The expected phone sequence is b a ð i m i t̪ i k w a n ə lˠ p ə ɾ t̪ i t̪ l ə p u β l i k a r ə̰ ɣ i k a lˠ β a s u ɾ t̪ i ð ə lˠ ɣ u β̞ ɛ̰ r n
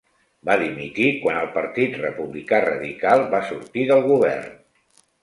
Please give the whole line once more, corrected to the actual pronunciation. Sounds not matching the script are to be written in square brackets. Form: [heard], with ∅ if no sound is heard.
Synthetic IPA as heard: b a ð i m i t̪ i k w a n ə lˠ p ə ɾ t̪ i t̪ [r] ə p u β l i k a r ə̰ [ð] i k a lˠ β a s u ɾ t̪ i ð ə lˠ ɣ u β̞ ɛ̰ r n